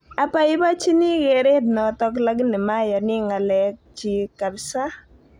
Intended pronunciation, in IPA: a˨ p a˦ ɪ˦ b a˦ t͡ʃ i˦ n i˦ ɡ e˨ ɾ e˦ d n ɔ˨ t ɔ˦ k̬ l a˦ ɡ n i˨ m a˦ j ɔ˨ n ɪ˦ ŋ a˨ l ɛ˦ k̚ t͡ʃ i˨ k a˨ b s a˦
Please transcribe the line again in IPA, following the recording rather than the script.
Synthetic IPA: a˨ p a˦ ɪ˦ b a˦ t͡ʃ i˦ n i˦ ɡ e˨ ɾ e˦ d n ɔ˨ t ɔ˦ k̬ l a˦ ɡ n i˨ m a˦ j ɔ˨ n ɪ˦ ŋ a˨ l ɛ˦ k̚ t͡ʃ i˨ k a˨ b s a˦